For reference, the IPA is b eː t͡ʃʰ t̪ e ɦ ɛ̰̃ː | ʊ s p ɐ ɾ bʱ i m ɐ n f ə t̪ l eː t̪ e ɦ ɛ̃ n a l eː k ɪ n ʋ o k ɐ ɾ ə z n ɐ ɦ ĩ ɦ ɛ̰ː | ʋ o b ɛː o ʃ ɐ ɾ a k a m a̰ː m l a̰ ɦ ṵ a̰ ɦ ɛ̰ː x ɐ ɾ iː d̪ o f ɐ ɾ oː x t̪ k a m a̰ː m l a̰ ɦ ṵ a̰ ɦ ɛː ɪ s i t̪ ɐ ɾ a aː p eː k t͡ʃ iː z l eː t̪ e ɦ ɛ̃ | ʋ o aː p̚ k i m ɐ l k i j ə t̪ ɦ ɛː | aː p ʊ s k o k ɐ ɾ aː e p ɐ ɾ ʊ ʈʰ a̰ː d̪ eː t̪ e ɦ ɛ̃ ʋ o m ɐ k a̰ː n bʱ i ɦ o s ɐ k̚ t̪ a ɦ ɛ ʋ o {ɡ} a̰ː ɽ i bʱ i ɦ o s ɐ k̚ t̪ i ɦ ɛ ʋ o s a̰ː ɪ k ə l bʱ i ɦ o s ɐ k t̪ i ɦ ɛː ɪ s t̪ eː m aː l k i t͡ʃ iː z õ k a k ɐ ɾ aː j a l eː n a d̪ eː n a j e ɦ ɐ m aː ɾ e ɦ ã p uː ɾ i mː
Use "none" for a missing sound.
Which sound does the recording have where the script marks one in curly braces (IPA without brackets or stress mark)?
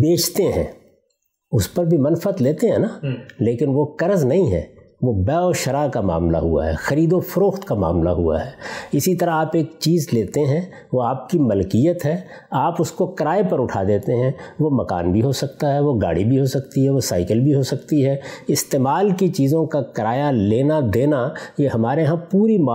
ɡ